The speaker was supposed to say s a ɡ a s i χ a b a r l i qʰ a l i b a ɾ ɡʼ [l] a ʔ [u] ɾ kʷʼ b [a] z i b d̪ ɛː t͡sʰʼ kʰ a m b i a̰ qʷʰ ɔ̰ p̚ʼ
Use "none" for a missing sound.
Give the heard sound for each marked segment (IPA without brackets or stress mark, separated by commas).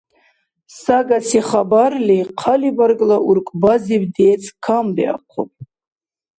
l, u, a